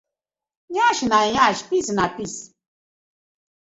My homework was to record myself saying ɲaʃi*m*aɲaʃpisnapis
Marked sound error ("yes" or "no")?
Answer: yes